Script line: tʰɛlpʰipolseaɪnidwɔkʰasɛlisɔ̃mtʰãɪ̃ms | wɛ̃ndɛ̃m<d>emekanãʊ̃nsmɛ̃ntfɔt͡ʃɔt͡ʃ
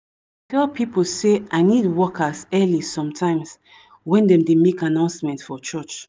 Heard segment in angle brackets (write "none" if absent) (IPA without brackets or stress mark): d